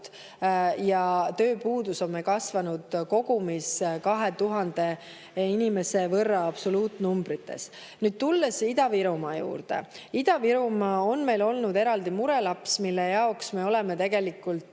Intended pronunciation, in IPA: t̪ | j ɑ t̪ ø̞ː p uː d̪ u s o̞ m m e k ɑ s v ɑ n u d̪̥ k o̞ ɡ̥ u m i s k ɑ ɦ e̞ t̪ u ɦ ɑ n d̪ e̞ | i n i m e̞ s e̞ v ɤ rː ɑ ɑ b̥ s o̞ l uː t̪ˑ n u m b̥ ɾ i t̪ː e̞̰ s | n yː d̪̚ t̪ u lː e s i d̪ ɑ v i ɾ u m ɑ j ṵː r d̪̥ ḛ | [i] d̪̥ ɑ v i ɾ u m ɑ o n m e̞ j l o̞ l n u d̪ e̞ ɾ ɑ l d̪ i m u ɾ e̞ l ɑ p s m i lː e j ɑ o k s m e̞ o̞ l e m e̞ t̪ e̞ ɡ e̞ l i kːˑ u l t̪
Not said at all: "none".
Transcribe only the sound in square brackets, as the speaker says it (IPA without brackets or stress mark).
i